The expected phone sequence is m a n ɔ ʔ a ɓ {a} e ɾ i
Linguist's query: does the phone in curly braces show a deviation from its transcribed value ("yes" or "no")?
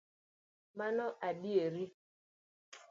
yes